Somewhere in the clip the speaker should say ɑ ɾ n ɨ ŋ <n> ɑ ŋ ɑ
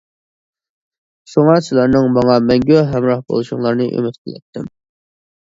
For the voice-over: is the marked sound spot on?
no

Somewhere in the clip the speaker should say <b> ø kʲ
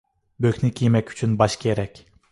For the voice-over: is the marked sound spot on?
yes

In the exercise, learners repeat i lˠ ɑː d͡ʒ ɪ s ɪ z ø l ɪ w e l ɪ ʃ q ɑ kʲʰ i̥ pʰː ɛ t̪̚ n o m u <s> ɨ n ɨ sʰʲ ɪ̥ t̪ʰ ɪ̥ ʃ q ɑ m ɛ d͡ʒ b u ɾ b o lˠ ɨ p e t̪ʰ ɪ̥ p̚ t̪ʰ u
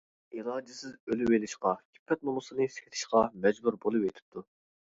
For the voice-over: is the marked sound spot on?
yes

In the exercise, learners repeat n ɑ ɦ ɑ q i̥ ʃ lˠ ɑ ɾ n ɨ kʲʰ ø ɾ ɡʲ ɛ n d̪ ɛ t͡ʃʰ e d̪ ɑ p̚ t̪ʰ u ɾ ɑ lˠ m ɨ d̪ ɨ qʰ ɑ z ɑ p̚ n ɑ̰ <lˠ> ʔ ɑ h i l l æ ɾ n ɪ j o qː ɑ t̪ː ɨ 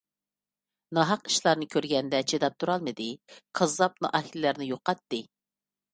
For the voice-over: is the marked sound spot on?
no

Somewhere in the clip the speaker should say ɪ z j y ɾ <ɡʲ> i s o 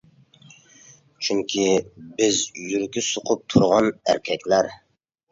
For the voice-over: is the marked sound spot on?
no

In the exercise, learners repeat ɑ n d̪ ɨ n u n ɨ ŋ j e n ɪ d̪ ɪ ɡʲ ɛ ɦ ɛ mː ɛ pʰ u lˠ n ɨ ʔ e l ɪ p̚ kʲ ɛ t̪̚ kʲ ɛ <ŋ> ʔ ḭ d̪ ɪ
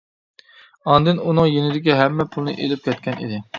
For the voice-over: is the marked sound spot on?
no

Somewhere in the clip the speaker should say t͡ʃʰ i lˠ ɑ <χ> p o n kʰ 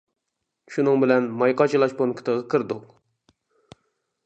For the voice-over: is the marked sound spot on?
no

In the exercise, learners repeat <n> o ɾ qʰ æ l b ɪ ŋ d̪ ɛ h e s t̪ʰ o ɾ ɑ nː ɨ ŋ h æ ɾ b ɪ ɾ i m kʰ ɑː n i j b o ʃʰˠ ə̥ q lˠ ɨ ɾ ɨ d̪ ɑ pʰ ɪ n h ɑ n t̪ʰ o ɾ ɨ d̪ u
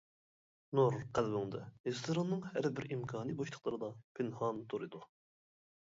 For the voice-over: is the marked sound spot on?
yes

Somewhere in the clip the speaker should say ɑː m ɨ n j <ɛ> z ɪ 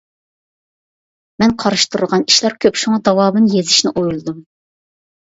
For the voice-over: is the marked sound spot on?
no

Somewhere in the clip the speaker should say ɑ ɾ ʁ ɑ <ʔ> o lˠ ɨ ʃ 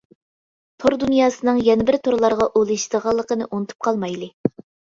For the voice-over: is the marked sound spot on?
yes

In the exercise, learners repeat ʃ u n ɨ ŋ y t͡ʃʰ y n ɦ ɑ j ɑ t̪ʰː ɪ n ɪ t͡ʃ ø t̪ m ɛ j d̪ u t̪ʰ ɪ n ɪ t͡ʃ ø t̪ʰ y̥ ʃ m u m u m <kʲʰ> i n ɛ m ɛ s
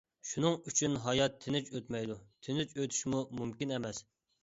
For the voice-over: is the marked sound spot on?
no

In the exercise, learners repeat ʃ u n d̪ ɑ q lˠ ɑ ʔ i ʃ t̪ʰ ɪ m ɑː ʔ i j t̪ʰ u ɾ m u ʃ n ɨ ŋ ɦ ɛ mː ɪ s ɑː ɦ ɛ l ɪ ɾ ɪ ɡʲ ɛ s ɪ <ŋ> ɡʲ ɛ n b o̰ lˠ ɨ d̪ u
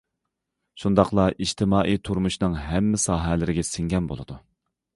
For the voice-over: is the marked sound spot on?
yes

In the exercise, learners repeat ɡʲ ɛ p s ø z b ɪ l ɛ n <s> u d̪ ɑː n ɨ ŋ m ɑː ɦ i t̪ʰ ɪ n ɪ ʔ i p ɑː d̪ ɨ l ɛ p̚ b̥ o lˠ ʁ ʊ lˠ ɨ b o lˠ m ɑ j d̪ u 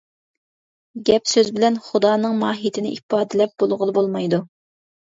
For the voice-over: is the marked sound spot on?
no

